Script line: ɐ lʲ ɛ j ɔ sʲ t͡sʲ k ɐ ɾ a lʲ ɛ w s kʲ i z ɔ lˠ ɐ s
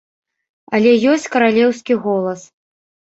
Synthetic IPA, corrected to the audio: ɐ lʲ ɛ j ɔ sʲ t͡sʲ k ɐ ɾ a lʲ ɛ w s kʲ i ɣ ɔ lˠ ɐ s